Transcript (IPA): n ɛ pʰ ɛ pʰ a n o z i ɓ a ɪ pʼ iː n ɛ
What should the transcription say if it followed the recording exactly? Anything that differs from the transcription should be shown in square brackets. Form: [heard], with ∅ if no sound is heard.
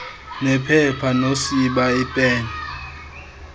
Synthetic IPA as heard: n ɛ pʰ ɛ pʰ a n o [s] i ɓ a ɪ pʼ [ɛː] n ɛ